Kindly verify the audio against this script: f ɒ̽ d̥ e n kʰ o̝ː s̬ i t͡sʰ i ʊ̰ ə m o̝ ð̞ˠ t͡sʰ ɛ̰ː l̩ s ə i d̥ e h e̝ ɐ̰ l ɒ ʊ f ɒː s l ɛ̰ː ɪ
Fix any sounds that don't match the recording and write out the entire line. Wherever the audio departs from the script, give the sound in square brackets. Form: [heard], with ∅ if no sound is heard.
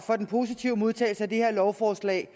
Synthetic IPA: f ɒ̽ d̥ e n [pʰ] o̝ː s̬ i t͡sʰ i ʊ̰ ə m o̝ ð̞ˠ t͡sʰ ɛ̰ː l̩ s ə [æ] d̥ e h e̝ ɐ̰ l ɒ ʊ f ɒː s l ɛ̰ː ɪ